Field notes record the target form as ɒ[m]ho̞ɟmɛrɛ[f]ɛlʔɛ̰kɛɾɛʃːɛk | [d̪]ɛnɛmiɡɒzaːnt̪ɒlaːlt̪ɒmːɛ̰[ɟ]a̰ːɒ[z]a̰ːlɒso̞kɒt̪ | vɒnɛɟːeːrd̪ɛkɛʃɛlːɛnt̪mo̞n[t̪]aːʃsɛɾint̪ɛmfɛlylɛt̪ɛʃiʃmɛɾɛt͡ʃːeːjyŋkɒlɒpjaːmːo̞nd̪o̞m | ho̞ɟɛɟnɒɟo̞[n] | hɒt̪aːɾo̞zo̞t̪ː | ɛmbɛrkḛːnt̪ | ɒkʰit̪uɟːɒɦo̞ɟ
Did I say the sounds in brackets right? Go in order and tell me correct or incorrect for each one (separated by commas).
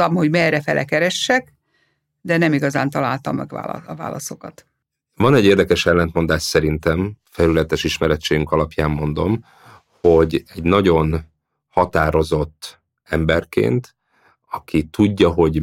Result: correct, correct, correct, incorrect, incorrect, incorrect, correct